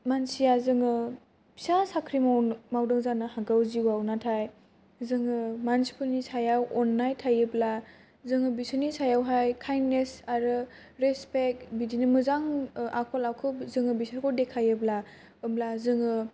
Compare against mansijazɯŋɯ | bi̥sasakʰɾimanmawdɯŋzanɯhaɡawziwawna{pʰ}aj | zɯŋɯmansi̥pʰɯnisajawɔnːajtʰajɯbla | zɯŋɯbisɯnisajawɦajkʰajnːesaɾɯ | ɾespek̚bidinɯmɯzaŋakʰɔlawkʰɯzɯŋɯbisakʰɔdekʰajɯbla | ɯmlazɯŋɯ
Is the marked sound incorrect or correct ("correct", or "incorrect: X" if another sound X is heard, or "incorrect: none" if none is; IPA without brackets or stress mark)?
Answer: incorrect: tʰ